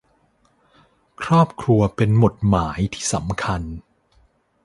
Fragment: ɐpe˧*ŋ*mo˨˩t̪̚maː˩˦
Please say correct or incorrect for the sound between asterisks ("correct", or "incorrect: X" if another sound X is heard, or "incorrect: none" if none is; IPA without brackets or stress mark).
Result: incorrect: n